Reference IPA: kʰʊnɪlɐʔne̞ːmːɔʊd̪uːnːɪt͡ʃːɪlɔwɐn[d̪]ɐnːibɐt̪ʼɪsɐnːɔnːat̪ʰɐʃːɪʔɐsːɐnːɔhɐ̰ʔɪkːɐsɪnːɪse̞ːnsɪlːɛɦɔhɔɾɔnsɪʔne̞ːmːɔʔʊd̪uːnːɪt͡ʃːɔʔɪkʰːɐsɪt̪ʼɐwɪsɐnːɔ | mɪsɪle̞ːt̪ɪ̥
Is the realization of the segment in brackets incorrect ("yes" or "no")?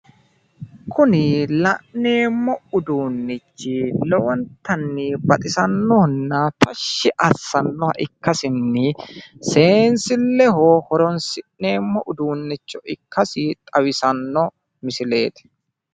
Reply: yes